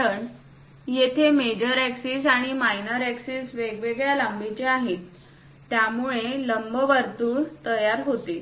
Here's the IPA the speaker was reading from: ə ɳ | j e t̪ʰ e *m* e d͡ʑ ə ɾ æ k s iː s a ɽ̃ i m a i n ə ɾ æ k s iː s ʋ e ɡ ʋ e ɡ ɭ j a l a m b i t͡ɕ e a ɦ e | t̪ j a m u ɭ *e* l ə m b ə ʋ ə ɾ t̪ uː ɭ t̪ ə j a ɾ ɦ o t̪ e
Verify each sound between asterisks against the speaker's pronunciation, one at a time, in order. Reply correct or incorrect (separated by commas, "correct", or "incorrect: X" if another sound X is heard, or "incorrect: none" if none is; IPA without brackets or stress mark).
correct, correct